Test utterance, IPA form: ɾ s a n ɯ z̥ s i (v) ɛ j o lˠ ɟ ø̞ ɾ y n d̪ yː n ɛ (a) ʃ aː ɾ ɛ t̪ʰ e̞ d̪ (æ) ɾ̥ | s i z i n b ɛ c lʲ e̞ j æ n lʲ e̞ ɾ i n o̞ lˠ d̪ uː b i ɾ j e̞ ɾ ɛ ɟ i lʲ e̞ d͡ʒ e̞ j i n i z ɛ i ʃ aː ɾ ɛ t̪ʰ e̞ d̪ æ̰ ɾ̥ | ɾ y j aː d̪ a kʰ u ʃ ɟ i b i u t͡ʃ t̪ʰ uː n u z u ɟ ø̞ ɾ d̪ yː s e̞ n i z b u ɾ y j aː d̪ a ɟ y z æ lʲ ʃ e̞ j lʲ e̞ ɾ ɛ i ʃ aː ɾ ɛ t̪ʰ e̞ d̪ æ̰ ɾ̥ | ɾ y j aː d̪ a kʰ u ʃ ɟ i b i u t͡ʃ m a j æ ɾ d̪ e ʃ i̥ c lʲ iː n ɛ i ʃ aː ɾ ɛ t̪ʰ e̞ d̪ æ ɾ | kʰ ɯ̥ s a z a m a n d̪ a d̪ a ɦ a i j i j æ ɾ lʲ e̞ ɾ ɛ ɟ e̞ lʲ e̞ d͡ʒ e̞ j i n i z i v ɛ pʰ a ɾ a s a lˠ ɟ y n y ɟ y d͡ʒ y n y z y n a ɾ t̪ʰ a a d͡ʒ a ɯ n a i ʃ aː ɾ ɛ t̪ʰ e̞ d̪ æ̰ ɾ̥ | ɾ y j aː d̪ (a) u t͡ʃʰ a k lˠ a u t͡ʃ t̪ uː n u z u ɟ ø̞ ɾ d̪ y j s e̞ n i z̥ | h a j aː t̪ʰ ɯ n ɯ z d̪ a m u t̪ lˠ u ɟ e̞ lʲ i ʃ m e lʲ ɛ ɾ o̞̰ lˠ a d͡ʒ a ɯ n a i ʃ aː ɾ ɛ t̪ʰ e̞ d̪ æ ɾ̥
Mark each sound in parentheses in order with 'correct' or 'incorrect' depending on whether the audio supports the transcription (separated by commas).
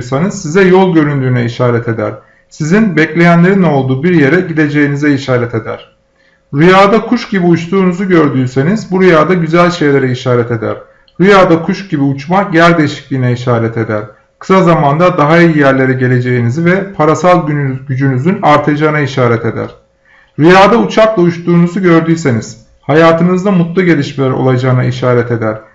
incorrect, incorrect, correct, correct